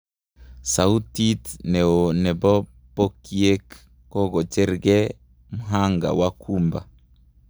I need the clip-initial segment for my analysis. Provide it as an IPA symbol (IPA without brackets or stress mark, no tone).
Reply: s